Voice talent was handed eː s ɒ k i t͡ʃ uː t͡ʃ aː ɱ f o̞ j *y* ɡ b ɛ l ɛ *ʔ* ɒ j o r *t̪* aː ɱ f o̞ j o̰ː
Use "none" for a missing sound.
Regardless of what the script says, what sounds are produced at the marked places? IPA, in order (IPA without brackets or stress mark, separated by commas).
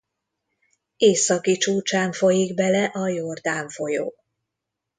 i, ʔ, d̪